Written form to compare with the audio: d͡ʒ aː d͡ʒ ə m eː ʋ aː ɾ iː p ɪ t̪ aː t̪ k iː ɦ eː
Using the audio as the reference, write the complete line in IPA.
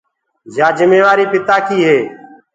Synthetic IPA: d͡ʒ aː d͡ʒ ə m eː ʋ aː ɾ iː p ɪ t̪ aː k iː ɦ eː

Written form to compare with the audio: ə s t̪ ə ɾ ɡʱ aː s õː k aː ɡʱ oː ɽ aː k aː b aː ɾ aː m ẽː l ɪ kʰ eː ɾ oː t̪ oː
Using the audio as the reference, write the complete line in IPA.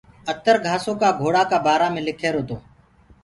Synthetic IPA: ə t̪ ə ɾ ɡʱ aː s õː k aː ɡʱ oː ɽ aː k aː b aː ɾ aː m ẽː l ɪ kʰ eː ɾ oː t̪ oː

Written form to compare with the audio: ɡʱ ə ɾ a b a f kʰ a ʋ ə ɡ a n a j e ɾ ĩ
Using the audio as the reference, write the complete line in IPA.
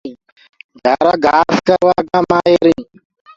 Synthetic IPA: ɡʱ a ɾ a ɡ a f k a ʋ a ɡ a m a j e ɾ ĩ

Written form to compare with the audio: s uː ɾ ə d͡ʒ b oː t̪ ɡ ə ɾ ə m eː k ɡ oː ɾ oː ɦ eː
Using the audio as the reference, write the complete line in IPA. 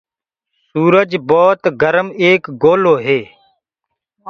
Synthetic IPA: s uː ɾ ə d͡ʒ b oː t̪ ɡ ə ɾ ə m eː k ɡ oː l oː ɦ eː

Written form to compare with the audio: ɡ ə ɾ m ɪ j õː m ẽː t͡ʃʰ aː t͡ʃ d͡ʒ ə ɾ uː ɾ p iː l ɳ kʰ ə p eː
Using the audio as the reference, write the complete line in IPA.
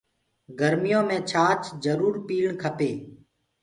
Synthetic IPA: ɡ ə ɾ m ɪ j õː m ẽː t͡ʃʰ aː t͡ʃ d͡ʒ ə ɾ uː ɾ p iː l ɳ kʰ ə p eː

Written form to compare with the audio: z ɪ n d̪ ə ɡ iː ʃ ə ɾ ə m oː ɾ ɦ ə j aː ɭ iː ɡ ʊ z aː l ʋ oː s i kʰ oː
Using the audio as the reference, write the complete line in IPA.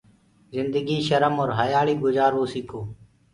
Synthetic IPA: z ɪ n d̪ ə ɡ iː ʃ ə ɾ ə m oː ɾ ɦ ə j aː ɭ iː ɡ ʊ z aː ɾ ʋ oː s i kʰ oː

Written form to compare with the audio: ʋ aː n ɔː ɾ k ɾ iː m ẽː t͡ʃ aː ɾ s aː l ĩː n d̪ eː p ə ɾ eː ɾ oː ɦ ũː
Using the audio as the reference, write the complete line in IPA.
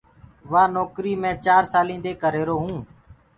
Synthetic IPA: ʋ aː n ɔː k ɾ iː m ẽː t͡ʃ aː ɾ s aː l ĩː n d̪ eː k ə ɾ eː ɾ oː ɦ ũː

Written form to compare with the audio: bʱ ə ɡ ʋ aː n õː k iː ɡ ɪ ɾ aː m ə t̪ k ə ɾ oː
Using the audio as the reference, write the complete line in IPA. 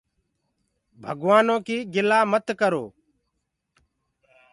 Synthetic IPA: bʱ ə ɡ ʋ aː n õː k iː ɡ ɪ l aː m ə t̪ k ə ɾ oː

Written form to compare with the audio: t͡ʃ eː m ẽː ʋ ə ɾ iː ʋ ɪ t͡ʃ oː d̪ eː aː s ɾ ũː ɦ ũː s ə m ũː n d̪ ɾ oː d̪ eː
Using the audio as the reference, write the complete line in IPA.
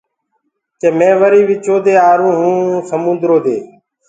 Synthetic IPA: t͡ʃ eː m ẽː ʋ ə ɾ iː ʋ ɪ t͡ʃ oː d̪ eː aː ɾ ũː ɦ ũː s ə m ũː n d̪ ɾ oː d̪ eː

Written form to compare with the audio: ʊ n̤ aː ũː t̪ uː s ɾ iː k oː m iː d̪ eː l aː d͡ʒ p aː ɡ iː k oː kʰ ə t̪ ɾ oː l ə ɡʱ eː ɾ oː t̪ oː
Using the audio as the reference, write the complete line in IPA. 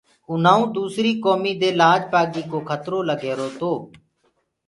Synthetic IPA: ʊ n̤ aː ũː d̪ uː s ɾ iː k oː m iː d̪ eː l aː d͡ʒ p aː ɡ iː k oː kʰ ə t̪ ɾ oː l ə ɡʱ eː ɾ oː t̪ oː

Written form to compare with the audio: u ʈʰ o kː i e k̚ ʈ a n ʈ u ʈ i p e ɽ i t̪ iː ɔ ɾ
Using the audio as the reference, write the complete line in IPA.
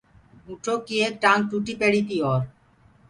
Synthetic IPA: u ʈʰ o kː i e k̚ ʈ a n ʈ u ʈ i p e ɽ i t̪ i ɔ ɾ

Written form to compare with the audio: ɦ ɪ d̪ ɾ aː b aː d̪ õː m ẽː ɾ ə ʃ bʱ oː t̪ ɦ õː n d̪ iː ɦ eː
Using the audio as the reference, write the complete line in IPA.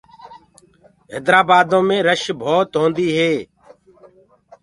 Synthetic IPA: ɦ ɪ d̪ ɾ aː b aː d̪ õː m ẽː ɾ ə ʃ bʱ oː t̪ ɦ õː n d̪ iː ɦ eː

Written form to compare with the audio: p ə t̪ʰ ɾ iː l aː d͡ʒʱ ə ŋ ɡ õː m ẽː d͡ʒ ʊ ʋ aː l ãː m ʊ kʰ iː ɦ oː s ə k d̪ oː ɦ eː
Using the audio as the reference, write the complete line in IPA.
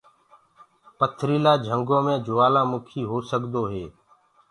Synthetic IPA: p ə t̪ʰ ɾ iː l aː d͡ʒʱ ə ŋ ɡ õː m ẽː d͡ʒ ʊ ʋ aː l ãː m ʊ kʰ iː ɦ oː s ə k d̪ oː ɦ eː

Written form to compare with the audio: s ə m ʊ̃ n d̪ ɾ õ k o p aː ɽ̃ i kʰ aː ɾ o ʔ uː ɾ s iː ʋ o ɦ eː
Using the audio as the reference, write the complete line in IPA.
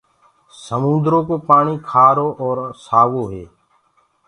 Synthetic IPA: s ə m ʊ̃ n d̪ ɾ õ k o p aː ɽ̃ i kʰ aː ɾ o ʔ ɔː ɾ s aː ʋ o ɦ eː

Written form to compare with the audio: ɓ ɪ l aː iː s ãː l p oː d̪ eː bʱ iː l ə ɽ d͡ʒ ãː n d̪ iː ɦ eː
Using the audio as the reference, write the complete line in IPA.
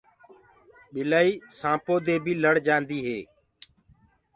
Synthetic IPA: ɓ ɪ l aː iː s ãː p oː d̪ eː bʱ iː l ə ɽ d͡ʒ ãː n d̪ iː ɦ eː

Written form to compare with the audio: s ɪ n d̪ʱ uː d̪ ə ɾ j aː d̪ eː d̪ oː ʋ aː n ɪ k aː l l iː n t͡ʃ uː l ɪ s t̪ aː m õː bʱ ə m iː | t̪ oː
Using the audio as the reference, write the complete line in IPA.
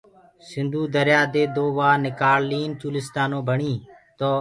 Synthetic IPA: s ɪ n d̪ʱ uː d̪ ə ɾ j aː d̪ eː d̪ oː ʋ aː n ɪ k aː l l iː n t͡ʃ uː l ɪ s t̪ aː n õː bʱ ə ɳ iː | t̪ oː

